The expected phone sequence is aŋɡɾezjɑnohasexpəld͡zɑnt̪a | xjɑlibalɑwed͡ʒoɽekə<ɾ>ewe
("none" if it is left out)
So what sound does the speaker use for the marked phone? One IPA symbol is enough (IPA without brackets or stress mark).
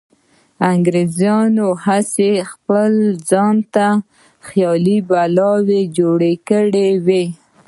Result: ɽ